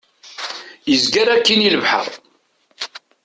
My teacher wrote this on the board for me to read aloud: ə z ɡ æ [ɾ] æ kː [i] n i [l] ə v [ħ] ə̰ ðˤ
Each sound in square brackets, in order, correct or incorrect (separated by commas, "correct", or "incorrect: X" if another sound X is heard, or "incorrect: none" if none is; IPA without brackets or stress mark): correct, correct, correct, correct